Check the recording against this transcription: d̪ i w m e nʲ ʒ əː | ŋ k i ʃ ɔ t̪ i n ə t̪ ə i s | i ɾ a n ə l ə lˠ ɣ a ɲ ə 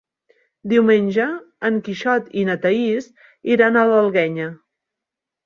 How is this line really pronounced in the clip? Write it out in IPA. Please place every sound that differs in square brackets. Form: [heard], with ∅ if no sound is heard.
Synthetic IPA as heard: d̪ i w m e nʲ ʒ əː | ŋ k i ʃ ɔ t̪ i n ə t̪ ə i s | i ɾ a n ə l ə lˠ ɣ [ɛ] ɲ ə